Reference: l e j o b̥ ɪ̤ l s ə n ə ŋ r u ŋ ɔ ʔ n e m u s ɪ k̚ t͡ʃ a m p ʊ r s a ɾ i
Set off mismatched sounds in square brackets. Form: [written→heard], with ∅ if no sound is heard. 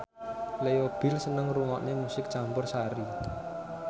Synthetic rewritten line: l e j o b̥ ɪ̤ l s ə n ə ŋ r u ŋ ɔ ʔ n e m u s ɪ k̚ t͡ʃ a m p ʊ r s a ɾ i